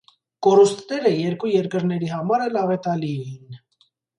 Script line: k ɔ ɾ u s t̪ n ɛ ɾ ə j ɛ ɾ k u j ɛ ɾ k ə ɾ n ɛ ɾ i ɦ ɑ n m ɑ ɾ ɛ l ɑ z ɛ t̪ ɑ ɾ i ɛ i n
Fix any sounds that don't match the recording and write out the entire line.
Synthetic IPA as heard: k ɔ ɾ u s t̪ n ɛ ɾ ə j ɛ ɾ k u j ɛ ɾ k ə ɾ n ɛ ɾ i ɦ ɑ m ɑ ɾ ɛ l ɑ v ɛ t̪ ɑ l i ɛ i n

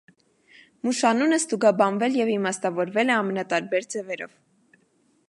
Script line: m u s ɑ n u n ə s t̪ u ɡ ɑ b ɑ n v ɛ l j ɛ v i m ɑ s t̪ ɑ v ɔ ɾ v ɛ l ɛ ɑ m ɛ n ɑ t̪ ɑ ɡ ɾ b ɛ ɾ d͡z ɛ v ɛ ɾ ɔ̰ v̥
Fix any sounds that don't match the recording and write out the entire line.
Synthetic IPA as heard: m u ʃ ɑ n u n ə s t̪ u ɡ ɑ b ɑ n v ɛ l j ɛ v i m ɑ s t̪ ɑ v ɔ ɾ v ɛ l ɛ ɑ m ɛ n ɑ t̪ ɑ ɾ b ɛ ɾ d͡z ɛ v ɛ ɾ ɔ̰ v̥

